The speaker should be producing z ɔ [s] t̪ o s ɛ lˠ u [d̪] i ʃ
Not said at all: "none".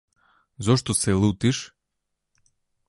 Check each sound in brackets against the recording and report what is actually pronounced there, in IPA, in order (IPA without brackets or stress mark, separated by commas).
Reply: ʃ, t̪